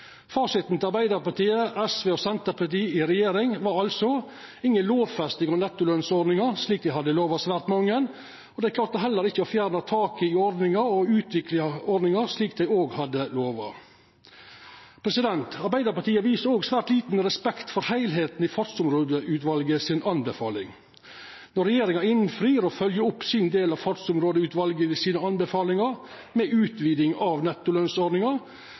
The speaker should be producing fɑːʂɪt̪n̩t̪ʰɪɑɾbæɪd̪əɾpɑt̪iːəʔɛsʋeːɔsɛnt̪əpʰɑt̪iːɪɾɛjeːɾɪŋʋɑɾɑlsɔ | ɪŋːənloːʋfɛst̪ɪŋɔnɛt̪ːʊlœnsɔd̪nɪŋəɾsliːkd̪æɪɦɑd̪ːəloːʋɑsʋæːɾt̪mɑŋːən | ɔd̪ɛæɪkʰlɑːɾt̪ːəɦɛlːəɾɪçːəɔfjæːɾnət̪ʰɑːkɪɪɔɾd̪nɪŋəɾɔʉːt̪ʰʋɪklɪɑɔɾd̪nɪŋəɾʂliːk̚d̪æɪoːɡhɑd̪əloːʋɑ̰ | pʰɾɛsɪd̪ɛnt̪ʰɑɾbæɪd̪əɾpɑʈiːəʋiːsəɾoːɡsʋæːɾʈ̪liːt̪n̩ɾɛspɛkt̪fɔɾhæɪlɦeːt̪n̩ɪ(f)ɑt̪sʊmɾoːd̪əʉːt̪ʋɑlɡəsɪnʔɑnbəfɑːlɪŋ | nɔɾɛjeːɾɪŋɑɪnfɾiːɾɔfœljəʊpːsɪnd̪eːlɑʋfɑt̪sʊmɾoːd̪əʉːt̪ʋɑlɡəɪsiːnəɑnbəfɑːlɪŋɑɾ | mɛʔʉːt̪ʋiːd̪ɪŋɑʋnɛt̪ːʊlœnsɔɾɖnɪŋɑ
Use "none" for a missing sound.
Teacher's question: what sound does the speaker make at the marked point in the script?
f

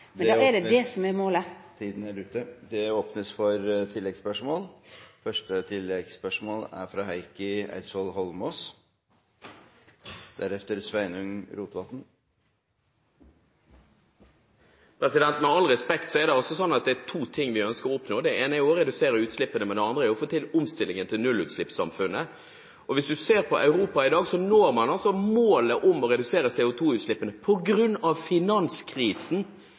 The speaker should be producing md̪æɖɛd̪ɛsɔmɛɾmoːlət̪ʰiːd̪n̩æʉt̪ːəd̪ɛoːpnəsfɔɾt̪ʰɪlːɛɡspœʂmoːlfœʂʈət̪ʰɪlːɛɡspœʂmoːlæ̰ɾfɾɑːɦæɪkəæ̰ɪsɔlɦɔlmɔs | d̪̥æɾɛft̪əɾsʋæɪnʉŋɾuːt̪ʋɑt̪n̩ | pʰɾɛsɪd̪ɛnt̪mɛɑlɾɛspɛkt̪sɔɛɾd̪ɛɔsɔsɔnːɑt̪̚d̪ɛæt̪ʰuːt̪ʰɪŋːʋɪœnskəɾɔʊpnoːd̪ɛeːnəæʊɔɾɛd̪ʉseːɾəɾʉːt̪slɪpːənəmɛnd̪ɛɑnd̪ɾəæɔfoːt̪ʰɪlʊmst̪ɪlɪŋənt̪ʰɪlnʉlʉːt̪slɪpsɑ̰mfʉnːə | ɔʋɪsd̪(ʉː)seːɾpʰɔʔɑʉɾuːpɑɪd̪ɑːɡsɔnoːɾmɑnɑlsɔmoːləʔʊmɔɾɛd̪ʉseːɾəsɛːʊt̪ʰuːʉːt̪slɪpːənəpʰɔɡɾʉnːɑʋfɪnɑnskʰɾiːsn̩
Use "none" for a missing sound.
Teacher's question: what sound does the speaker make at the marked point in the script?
ʉ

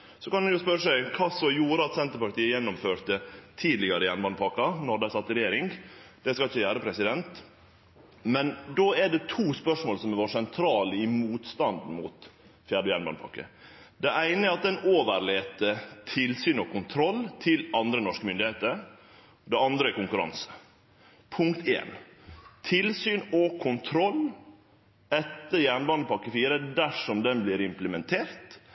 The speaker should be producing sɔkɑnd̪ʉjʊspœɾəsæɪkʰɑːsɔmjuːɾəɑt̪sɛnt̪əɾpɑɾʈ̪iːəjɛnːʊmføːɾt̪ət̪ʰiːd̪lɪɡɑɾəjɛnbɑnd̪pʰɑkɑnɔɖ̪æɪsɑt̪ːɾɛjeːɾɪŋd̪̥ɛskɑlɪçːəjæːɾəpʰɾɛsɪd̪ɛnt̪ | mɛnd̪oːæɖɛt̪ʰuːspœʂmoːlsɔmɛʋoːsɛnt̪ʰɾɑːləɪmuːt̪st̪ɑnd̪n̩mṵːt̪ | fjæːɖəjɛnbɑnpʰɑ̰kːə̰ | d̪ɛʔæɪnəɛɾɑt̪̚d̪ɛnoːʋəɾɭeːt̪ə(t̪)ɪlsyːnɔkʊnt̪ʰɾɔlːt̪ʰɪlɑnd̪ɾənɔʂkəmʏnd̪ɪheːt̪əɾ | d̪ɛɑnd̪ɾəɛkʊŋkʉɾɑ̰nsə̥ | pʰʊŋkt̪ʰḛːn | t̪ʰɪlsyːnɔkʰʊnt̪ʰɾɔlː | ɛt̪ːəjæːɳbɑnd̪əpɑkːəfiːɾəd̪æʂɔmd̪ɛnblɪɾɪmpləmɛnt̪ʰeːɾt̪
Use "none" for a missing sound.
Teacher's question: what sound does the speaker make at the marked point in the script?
t̪ʰ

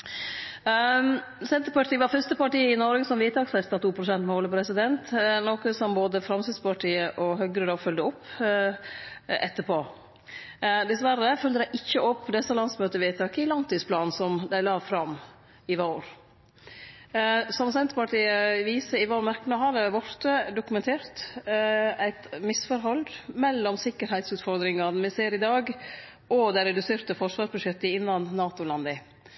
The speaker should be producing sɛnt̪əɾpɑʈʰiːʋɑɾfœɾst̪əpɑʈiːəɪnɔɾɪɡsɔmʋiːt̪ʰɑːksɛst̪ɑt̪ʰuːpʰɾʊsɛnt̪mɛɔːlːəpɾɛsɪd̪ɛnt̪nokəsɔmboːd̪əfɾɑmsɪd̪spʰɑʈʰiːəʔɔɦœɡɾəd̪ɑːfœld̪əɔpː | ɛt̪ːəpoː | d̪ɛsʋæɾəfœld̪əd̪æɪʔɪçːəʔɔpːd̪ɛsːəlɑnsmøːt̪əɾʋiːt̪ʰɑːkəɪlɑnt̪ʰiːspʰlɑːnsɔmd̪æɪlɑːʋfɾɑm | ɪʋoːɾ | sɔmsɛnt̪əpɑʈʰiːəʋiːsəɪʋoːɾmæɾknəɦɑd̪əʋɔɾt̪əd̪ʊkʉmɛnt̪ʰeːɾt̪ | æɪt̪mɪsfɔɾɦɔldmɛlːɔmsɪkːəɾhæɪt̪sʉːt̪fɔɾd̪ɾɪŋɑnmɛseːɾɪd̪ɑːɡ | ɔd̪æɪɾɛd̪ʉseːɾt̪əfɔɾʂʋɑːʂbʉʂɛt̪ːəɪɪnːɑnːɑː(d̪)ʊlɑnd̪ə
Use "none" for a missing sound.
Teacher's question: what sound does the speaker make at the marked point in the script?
t̪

